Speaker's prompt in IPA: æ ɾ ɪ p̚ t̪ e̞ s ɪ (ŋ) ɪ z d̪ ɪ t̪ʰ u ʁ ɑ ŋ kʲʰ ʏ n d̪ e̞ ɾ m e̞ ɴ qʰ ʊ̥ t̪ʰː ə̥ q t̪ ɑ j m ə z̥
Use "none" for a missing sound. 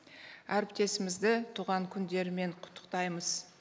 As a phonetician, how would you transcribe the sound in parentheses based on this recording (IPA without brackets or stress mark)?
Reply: m